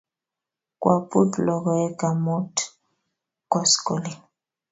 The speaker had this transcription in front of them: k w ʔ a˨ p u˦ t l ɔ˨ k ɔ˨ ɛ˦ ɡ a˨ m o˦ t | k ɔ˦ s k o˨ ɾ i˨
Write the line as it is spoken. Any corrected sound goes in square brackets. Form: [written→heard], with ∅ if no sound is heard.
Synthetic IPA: k w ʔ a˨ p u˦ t l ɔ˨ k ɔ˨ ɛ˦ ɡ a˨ m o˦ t | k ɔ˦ s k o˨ [ɾ→l] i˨